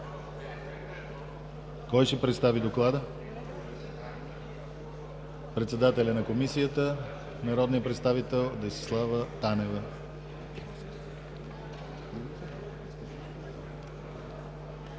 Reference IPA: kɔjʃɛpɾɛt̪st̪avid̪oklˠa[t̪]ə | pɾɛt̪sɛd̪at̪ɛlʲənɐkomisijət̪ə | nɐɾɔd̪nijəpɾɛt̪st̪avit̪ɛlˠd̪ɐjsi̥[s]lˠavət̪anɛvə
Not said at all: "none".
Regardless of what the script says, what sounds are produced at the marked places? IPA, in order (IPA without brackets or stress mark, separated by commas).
d̪, s